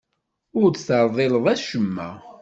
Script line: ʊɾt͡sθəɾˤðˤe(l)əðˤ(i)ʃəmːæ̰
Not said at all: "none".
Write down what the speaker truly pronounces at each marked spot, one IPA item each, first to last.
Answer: l, æ

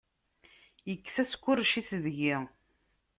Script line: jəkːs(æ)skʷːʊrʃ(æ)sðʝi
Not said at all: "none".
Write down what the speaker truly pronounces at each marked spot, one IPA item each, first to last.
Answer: æ, i

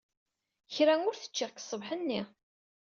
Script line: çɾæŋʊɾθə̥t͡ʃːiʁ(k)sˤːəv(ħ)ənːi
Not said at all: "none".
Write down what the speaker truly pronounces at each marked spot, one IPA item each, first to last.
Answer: k, ħ

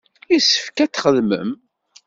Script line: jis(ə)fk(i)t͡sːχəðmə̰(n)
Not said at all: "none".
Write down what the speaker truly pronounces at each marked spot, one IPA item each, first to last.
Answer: ə, æ, m

